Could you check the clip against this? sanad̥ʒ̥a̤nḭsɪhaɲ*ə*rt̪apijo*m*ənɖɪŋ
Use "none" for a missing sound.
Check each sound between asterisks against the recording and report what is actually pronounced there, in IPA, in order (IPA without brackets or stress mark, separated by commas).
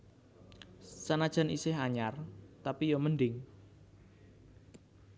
a, m